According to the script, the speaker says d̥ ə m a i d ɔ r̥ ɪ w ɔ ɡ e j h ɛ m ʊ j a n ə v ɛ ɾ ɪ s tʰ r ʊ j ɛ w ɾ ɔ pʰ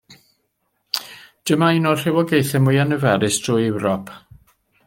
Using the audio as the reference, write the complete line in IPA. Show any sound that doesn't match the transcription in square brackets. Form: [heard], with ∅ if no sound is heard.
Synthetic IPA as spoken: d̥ ə m a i [n] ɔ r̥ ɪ w ɔ ɡ e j [θ] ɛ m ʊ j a n ə v ɛ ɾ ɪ s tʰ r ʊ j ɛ w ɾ ɔ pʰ